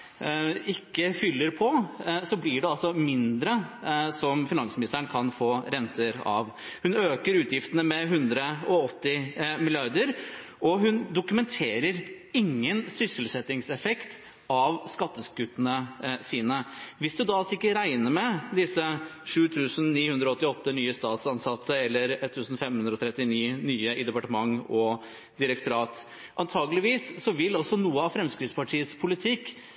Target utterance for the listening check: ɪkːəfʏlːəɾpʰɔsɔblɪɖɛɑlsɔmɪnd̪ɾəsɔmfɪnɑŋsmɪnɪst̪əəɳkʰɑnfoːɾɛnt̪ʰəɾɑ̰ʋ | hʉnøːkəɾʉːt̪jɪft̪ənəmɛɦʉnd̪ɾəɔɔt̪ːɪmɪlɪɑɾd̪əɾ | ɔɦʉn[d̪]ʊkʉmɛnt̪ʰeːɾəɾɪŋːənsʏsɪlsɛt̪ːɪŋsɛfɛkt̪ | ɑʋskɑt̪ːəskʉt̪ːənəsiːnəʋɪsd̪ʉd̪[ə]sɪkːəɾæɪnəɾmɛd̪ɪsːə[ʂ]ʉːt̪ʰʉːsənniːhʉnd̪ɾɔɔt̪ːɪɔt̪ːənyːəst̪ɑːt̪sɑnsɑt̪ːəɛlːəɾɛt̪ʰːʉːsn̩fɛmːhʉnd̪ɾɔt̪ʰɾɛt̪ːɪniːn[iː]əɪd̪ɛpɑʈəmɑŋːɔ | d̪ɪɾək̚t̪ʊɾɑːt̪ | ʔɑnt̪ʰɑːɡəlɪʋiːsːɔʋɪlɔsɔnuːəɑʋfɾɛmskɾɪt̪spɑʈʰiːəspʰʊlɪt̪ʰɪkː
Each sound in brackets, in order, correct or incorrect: correct, incorrect, correct, incorrect

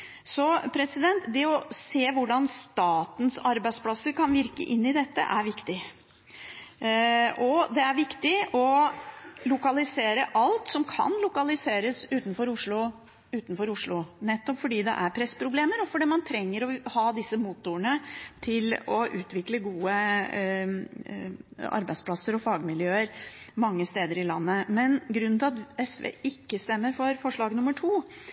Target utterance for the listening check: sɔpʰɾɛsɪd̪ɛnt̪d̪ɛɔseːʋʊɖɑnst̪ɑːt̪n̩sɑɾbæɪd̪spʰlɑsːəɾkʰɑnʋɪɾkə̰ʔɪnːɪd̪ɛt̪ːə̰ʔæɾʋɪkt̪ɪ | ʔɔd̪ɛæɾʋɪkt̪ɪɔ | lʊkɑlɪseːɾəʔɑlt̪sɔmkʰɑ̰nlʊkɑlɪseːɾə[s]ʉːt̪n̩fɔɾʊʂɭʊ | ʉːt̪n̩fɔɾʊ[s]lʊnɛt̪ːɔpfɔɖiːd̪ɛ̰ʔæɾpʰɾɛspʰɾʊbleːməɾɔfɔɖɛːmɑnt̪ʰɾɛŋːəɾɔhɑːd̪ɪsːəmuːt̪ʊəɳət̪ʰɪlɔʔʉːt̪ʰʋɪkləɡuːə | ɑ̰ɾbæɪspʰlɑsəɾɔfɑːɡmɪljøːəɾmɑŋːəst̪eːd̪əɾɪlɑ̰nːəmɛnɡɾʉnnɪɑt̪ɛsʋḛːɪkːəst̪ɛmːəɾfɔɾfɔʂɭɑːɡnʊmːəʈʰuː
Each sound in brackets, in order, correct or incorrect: correct, incorrect

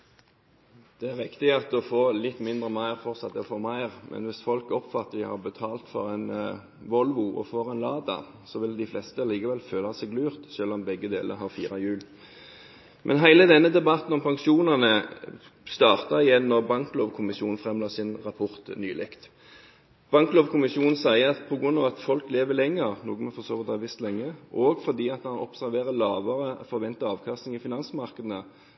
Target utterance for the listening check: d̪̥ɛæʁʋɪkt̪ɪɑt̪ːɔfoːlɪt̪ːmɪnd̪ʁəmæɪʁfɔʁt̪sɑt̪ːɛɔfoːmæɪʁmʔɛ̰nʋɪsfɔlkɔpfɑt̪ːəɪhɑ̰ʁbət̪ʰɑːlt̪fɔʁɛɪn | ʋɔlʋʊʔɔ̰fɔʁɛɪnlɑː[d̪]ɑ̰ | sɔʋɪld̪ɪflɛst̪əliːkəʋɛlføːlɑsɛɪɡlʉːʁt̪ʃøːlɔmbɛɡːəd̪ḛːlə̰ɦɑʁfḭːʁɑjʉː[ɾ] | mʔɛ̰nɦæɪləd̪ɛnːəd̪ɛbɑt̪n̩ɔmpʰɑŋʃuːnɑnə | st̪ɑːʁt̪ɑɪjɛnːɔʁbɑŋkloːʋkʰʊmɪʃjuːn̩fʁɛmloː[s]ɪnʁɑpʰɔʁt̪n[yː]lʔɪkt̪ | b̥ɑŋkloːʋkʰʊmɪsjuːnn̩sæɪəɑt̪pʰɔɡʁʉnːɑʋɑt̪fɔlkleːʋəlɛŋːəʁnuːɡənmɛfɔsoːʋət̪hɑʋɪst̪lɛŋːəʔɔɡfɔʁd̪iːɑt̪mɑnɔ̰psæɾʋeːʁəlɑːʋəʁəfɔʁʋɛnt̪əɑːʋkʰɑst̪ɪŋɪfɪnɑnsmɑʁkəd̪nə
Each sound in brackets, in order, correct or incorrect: correct, incorrect, correct, correct

